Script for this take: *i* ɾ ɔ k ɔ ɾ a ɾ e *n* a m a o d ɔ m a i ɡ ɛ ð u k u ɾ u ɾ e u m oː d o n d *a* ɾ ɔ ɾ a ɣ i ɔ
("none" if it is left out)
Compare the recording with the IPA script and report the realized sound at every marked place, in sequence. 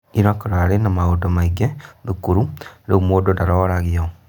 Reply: i, n, a

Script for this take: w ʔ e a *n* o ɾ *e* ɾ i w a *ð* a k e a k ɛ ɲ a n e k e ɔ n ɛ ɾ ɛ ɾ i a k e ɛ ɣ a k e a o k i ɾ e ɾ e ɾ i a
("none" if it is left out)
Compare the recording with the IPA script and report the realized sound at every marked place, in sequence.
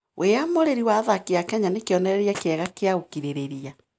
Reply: m, e, ð

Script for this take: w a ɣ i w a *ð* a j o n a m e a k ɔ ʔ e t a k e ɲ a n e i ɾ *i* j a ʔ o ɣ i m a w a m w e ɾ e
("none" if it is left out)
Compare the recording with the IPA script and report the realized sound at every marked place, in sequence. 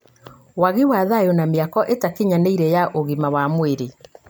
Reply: ð, ɛ

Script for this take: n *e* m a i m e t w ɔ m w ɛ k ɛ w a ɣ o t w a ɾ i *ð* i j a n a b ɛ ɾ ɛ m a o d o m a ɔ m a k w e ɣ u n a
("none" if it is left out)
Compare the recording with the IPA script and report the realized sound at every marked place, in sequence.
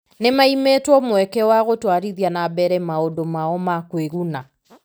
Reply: e, ð

